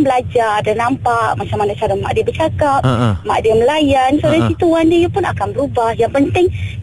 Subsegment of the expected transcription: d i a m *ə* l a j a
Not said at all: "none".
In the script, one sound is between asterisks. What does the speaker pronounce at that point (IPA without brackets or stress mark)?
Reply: ə